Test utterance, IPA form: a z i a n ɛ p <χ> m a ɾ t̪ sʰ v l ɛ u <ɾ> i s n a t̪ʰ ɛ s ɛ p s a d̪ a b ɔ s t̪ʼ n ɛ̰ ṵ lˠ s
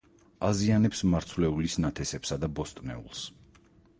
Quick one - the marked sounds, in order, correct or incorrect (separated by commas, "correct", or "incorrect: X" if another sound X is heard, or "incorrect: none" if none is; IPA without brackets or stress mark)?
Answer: incorrect: s, incorrect: l